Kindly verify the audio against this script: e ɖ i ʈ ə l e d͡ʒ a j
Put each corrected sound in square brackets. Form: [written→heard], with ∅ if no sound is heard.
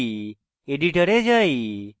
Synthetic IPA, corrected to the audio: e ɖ i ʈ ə [l→ɾ] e d͡ʒ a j